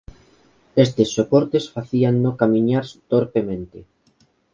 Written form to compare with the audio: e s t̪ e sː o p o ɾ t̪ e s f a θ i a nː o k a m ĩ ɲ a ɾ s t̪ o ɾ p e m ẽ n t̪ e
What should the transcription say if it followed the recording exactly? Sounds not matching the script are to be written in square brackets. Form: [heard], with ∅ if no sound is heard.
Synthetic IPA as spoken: e s t̪ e sː o p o ɾ t̪ e s f a θ i a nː o k a m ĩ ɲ a ɾ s t̪ o ɾ p e m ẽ n t̪ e